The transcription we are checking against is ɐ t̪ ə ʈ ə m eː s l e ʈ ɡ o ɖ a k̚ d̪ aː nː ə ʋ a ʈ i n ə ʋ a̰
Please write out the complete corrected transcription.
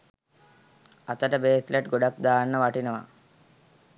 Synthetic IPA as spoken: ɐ t̪ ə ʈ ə b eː s l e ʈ ɡ o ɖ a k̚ d̪ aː nː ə ʋ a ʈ i n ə ʋ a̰

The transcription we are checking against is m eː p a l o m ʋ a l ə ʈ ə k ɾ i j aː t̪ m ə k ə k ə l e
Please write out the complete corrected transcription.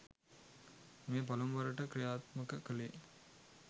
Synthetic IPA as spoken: m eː p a l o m ʋ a ɾ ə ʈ ə k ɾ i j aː t̪ m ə k ə k ə l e

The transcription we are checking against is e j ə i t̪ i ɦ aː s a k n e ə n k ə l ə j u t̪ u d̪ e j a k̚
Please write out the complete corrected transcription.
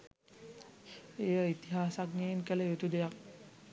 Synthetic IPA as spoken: e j ə i t̪ i ɦ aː s a k n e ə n k ə l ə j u t̪ u d̪ e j a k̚

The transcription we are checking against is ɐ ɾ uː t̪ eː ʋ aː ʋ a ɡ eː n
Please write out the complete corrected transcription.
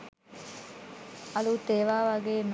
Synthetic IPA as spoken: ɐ l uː t̪ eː ʋ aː ʋ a ɡ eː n

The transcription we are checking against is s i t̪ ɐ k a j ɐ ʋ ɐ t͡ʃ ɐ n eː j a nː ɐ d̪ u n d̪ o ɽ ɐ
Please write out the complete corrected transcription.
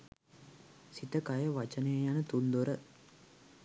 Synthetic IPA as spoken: s i t̪ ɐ k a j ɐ ʋ ɐ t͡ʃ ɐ n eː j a n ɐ t̪ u n d̪ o ɾ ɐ

